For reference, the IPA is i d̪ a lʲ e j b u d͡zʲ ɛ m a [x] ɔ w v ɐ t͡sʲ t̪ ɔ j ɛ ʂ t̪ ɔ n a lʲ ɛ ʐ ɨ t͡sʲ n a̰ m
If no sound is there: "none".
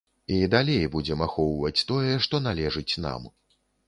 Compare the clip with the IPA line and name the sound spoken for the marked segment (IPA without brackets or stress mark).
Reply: x